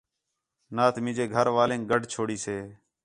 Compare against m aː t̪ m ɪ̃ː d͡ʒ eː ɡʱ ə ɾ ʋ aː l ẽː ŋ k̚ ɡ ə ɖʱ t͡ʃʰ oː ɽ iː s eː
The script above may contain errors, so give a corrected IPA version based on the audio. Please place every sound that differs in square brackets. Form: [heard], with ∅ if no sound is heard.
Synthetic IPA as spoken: [n] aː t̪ m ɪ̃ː d͡ʒ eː ɡʱ ə ɾ ʋ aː l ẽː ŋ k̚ ɡ ə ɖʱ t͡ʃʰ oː ɽ iː s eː